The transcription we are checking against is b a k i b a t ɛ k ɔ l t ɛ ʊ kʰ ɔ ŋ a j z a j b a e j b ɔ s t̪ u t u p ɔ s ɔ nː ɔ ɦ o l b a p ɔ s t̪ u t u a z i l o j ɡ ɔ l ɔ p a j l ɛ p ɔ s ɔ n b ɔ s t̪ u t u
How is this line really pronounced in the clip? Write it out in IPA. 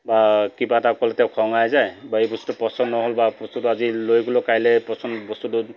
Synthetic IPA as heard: b a k i b a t a k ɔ l t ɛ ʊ kʰ ɔ ŋ a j z a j b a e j b ɔ s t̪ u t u p ɔ s ɔ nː ɔ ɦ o l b a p ɔ s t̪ u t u a z i l o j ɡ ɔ l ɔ k a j l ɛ p ɔ s ɔ n b ɔ s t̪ u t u